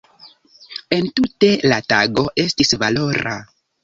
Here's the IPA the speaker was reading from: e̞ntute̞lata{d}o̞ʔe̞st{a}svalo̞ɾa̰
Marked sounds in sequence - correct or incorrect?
incorrect: ɡ, incorrect: i

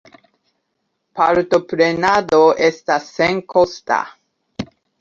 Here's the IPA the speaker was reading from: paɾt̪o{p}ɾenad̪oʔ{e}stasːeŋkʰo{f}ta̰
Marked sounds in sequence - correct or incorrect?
correct, correct, incorrect: s

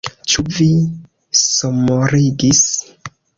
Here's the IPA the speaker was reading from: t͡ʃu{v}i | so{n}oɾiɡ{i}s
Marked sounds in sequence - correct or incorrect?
correct, incorrect: m, correct

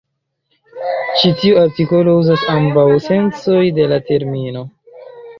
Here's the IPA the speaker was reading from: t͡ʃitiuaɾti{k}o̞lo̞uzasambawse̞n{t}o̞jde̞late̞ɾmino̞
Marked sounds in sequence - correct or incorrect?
correct, incorrect: t͡s

